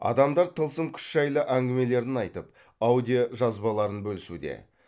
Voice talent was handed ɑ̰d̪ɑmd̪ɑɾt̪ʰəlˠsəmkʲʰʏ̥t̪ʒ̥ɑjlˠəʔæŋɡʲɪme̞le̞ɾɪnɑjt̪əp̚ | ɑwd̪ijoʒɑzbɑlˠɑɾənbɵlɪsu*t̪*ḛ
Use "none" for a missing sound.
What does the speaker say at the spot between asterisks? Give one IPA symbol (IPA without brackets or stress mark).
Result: d̪